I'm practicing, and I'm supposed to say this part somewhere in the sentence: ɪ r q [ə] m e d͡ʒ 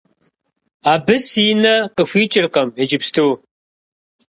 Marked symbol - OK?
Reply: no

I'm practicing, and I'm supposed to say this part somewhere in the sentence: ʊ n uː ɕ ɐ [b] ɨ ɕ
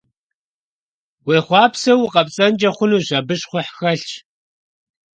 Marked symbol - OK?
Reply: yes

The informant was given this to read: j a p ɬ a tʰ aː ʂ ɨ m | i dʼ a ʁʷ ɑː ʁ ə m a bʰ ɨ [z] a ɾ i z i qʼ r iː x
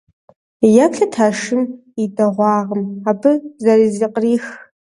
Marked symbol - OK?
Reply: yes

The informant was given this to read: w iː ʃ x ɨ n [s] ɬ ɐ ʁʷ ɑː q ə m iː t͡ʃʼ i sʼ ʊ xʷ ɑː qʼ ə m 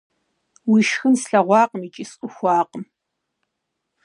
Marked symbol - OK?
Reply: yes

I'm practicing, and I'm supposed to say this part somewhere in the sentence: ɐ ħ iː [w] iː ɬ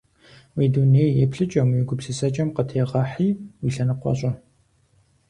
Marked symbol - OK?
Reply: yes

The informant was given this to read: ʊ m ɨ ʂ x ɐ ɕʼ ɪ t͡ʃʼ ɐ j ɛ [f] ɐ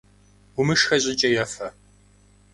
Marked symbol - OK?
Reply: yes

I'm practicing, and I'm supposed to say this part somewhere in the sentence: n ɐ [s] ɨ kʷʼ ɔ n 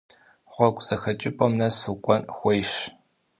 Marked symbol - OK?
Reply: yes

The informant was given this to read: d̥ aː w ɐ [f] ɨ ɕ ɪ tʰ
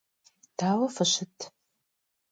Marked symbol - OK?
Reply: yes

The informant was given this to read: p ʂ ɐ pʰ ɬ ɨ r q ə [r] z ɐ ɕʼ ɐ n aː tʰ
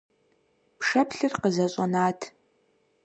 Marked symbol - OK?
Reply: no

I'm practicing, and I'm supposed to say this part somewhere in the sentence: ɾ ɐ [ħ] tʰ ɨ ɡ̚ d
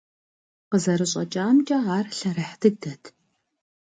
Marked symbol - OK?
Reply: yes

